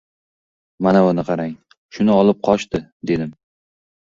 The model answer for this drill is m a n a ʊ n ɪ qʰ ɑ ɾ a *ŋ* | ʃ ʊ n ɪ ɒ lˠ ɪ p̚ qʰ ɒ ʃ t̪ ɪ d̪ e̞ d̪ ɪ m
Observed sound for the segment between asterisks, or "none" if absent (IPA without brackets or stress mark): ŋ